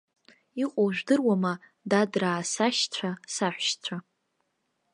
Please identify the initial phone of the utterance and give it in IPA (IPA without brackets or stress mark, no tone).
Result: i